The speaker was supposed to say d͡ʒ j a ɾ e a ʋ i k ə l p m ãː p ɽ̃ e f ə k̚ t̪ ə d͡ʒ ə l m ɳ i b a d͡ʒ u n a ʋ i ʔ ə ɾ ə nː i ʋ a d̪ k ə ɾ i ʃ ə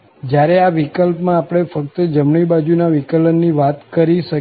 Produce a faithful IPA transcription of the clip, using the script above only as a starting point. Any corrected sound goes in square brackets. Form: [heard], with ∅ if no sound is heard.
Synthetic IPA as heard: d͡ʒ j a ɾ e a ʋ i k ə l p m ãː p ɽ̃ e f ə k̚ t̪ ə d͡ʒ ə [∅] m ɳ i b a d͡ʒ u n a ʋ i [k] ə [l] ə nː i ʋ a [t̪] k ə ɾ i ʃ ə